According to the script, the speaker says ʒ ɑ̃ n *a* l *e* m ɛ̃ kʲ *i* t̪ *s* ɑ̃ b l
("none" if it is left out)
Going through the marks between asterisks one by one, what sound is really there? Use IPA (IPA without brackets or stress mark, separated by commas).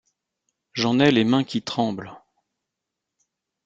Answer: ɛ, e, i, χ